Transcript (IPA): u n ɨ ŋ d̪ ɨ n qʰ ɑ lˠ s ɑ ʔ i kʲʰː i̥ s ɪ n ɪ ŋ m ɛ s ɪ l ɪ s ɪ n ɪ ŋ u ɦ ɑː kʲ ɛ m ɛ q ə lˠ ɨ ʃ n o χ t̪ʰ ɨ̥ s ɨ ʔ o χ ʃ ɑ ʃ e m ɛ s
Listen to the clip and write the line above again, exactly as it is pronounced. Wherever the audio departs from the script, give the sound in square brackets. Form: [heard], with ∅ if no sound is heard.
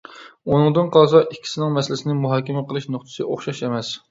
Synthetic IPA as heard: u n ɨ ŋ d̪ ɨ n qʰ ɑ lˠ s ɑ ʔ i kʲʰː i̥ s ɪ n ɪ ŋ m ɛ s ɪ l ɪ s ɪ n ɪ [m] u ɦ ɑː kʲ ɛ m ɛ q ə lˠ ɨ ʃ n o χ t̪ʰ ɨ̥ s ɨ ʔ o χ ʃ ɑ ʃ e m ɛ s